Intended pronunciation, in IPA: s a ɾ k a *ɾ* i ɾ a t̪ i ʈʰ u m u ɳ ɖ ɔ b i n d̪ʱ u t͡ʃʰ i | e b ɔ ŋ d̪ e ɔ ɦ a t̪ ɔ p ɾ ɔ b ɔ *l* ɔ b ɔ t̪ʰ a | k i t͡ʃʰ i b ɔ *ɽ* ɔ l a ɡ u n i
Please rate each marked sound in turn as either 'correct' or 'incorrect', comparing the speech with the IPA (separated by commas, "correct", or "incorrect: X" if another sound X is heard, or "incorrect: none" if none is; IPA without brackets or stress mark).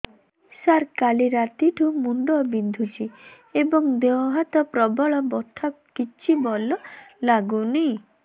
incorrect: l, incorrect: ɭ, incorrect: l